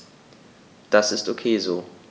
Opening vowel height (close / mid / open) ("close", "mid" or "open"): open